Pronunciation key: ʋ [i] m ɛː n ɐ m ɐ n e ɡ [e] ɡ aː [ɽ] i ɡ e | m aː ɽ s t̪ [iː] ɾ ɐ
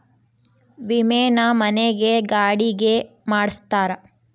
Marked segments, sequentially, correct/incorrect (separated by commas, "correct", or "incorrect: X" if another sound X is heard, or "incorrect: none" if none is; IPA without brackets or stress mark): correct, correct, correct, incorrect: aː